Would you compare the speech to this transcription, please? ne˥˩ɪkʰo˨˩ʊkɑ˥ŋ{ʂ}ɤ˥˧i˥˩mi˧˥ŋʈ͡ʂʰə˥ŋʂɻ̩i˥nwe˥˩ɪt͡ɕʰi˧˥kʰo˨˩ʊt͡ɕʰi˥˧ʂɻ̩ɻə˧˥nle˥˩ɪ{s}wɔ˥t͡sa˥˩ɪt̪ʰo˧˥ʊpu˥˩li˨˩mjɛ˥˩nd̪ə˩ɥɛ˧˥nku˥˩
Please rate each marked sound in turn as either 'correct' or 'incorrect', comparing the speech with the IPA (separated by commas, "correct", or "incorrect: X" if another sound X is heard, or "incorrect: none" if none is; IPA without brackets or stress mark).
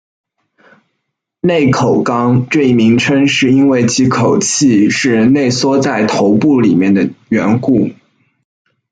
incorrect: ʈ͡ʂ, correct